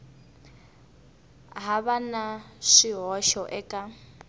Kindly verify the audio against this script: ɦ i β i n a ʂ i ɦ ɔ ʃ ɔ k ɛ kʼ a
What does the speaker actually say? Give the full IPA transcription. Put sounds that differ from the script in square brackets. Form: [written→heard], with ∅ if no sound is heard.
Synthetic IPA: ɦ [i→a] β [i→a] n a ʂ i ɦ ɔ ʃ ɔ [k→ʔ] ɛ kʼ a